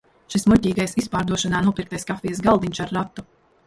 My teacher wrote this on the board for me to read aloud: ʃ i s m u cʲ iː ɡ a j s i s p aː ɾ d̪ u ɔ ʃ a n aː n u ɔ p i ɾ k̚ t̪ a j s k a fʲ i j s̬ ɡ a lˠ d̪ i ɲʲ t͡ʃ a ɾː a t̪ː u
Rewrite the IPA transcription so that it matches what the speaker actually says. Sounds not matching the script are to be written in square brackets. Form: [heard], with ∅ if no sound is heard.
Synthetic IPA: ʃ i s m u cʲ iː ɡ a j s i s p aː ɾ d̪ u ɔ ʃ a n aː n u ɔ p i ɾ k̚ t̪ a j s k a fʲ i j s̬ ɡ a lˠ d̪ i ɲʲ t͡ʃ a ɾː a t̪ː u